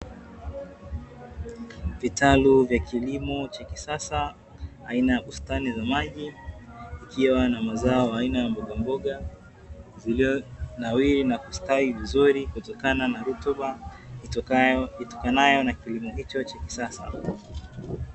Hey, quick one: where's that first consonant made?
lips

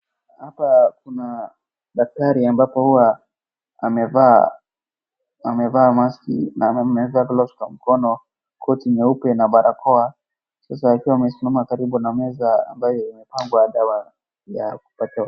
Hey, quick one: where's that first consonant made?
throat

